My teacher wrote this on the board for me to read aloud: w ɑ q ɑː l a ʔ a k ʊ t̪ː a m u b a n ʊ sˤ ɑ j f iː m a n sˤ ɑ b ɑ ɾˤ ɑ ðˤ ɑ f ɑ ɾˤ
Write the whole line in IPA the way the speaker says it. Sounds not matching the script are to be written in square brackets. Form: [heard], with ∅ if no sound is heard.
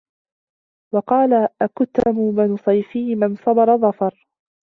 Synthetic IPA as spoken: w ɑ q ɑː l a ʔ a k ʊ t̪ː a m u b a n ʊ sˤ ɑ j f iː m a n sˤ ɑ b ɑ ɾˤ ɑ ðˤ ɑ f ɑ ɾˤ